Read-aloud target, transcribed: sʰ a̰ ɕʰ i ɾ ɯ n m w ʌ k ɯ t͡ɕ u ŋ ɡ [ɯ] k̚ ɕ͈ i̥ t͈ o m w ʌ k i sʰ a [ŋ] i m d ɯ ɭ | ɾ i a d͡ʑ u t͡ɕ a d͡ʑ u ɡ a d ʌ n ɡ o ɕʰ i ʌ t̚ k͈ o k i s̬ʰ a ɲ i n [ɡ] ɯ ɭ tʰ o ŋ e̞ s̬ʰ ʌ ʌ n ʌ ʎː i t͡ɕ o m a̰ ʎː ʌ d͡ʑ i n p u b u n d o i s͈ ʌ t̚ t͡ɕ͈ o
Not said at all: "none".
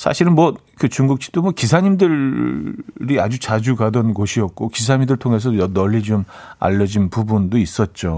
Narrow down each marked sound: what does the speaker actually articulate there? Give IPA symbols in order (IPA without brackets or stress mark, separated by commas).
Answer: u, ɲ, d